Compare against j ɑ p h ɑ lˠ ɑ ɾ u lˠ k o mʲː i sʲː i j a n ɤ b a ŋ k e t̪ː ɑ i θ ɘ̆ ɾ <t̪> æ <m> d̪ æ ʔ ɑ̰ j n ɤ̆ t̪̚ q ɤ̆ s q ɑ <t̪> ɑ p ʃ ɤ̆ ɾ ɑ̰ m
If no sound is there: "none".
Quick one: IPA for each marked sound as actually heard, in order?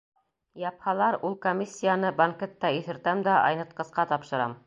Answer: t̪, m, t̪

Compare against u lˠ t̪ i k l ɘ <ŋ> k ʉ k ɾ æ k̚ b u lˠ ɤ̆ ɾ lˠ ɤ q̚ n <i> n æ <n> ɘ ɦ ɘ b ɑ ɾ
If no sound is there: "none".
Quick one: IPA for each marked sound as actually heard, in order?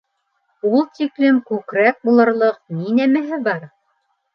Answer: m, i, m

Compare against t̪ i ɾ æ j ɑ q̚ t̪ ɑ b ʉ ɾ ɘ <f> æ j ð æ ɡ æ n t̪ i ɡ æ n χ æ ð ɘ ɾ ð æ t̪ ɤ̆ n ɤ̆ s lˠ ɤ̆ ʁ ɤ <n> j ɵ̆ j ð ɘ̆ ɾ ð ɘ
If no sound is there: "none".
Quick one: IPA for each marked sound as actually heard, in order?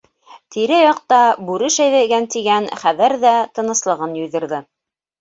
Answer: ʃ, n

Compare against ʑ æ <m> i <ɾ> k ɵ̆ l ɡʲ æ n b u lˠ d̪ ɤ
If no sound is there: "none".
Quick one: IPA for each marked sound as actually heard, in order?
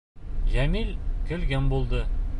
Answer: m, l

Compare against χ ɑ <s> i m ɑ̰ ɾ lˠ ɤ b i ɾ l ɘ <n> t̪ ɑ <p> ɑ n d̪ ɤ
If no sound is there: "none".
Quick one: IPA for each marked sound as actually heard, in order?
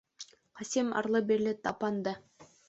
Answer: s, none, p

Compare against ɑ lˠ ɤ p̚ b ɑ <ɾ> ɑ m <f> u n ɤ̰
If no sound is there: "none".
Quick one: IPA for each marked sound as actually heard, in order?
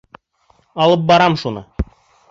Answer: ɾ, ʃ

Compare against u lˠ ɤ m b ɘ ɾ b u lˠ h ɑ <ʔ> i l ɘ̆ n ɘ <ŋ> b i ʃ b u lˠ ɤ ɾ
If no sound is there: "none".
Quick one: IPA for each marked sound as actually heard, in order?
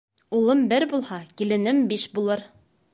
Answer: k, m

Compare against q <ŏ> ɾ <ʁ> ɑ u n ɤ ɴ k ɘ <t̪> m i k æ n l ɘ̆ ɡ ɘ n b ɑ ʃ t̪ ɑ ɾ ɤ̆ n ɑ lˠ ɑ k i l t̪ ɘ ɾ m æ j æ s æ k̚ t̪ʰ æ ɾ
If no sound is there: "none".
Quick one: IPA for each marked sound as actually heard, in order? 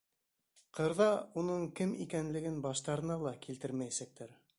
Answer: ɤ̆, ð, none

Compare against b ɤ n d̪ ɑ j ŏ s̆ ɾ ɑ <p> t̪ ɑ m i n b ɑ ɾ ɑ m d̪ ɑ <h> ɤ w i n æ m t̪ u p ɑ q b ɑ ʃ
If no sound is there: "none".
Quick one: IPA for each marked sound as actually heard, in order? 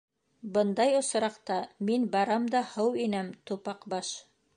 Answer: q, h

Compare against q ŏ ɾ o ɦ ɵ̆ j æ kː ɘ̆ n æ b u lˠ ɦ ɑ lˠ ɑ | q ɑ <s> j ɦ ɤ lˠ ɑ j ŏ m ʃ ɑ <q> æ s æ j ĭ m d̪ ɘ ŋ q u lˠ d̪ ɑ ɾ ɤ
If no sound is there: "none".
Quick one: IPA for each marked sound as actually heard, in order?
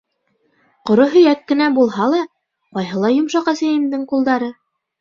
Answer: none, q

